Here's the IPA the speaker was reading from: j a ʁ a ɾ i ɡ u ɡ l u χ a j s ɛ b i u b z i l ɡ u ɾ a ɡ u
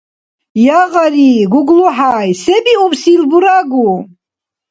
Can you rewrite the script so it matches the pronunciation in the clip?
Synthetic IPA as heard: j a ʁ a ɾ i ɡ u ɡ l u ħ a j s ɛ b i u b s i l b u ɾ a ɡ u